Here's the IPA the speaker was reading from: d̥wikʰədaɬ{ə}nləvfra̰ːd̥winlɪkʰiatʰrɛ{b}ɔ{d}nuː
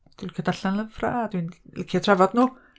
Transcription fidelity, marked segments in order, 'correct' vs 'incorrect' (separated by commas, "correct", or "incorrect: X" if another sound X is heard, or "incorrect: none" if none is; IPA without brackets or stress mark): incorrect: a, incorrect: v, correct